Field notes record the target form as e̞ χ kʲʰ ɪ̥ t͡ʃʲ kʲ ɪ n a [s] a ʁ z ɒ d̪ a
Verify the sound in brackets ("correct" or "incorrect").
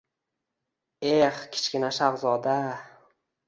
incorrect